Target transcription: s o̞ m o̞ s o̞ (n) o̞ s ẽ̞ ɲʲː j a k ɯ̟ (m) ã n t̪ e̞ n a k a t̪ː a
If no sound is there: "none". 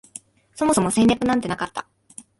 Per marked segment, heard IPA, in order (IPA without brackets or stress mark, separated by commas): m, n